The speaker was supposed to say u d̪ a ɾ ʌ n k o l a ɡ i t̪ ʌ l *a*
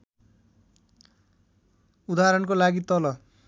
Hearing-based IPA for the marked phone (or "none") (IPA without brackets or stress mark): ʌ